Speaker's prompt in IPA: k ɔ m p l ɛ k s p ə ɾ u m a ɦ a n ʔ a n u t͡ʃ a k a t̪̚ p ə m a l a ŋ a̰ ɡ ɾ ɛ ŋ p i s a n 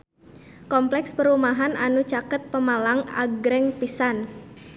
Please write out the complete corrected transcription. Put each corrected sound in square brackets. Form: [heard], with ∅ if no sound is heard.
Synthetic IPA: k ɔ m p l ɛ k s p ə ɾ u m a ɦ a n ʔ a n u t͡ʃ a k [ə] t̪̚ p ə m a l a ŋ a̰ ɡ ɾ ɛ ŋ p i s a n